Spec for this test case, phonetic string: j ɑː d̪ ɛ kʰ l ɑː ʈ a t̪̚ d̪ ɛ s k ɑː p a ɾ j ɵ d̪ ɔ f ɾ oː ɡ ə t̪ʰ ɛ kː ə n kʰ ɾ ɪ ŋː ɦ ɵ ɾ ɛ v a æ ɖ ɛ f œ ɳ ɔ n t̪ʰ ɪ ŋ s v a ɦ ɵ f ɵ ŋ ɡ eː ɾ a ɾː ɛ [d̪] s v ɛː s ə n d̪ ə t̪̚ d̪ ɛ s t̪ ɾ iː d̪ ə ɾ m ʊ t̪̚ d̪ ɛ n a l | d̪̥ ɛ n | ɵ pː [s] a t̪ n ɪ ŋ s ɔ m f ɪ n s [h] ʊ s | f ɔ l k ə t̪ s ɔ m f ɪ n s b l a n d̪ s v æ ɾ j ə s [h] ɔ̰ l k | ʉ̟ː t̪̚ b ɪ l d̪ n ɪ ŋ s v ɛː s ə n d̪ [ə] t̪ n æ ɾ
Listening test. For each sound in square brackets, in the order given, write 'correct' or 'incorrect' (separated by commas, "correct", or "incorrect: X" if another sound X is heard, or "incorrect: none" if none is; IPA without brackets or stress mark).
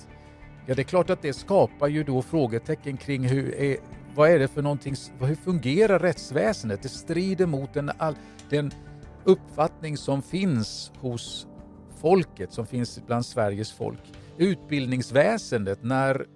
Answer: incorrect: t̪, incorrect: f, correct, incorrect: f, correct